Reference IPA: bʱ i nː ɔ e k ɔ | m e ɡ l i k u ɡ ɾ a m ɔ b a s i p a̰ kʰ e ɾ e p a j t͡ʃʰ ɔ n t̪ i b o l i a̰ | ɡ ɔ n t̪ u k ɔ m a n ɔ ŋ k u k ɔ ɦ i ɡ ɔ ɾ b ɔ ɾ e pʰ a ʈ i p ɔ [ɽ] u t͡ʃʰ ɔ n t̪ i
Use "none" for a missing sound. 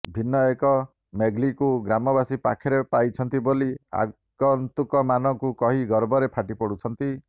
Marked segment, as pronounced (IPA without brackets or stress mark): ɽ